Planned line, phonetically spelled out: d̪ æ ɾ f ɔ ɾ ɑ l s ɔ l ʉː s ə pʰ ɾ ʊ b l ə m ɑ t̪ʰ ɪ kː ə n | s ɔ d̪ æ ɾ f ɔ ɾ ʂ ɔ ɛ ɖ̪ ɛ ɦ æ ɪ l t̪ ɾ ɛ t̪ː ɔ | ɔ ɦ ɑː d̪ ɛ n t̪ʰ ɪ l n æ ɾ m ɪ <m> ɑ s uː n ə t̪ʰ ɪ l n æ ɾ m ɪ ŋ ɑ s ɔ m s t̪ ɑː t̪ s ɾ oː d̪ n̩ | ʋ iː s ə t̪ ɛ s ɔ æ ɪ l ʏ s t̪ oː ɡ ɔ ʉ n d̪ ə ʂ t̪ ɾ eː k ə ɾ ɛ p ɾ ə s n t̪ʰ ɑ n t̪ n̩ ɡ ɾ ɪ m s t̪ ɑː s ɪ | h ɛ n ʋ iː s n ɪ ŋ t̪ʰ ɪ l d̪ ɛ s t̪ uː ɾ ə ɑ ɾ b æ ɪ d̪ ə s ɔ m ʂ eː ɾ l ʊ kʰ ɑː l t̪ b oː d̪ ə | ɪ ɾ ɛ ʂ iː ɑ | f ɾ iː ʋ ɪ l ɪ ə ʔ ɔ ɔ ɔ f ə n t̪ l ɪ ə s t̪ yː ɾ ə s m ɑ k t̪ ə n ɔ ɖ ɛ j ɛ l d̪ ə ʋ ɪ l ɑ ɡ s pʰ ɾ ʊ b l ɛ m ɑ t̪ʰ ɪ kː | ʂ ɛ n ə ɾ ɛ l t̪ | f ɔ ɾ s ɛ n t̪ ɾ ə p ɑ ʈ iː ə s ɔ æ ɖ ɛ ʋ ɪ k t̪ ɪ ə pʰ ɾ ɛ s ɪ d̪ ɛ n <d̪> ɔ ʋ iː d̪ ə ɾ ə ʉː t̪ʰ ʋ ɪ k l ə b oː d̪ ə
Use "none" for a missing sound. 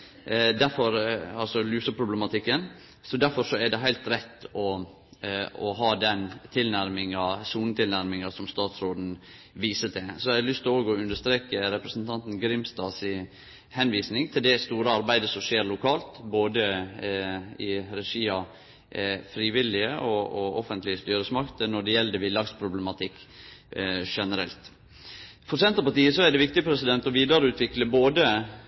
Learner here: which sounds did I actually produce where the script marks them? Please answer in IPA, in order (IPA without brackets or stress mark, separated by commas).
ŋ, t̪